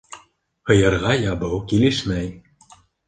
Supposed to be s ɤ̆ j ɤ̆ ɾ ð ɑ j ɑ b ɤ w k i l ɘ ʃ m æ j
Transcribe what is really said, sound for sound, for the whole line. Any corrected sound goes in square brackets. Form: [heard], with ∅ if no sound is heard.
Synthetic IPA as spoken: [h] ɤ̆ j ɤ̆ ɾ [ʁ] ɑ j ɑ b ɤ w k i l ɘ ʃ m æ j